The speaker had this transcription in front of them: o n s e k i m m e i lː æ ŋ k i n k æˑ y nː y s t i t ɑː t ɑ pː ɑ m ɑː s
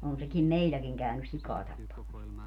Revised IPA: o n s e k i m m e i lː æ k i ŋ k æˑ y n y s s i k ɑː t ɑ pː ɑ m ɑ s